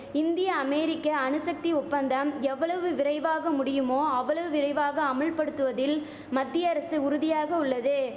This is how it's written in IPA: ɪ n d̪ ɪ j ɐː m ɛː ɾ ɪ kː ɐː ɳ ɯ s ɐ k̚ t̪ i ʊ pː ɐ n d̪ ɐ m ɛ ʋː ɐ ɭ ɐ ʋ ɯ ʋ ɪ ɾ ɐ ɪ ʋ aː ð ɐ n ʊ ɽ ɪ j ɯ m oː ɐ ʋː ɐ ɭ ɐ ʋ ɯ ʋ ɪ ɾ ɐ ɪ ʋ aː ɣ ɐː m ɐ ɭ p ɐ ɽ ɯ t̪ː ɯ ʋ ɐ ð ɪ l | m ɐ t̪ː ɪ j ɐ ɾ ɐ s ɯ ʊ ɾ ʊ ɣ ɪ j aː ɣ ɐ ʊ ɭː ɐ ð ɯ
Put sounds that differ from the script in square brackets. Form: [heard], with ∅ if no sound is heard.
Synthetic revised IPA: ɪ n d̪ ɪ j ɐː m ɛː ɾ ɪ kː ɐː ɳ ɯ s ɐ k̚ t̪ i ʊ pː ɐ n d̪ ɐ m ɛ ʋː ɐ ɭ ɐ ʋ ɯ ʋ ɪ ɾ ɐ ɪ ʋ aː [ɣ] ɐ [m] ʊ ɽ ɪ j ɯ m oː ɐ ʋː ɐ ɭ ɐ ʋ ɯ ʋ ɪ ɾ ɐ ɪ ʋ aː ɣ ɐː m ɐ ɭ p ɐ ɽ ɯ t̪ː ɯ ʋ ɐ ð ɪ l | m ɐ [d̪ː] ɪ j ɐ ɾ ɐ s ɯ ʊ ɾ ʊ [ð] ɪ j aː ɣ ɐ ʊ ɭː ɐ ð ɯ